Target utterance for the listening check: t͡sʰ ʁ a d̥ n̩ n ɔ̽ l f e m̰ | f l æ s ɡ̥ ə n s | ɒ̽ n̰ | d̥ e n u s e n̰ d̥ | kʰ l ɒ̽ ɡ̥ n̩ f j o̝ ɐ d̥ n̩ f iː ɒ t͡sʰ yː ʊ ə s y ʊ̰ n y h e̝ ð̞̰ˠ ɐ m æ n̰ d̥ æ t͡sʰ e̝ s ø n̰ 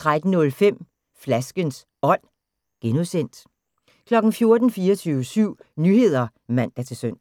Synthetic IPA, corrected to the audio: t͡sʰ ʁ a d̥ n̩ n ɔ̽ l f e m̰ | f l æ s ɡ̥ ə n s | ɒ̽ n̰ | ɡ̥ e n u s e n̰ d̥ | kʰ l ɒ̽ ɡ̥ n̩ f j o̝ ɐ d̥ n̩ f iː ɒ t͡sʰ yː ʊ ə s y ʊ̰ n y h e̝ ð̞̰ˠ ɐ m æ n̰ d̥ æ t͡sʰ e̝ s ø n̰